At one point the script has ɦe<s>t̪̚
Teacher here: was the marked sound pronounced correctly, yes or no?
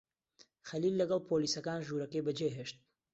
no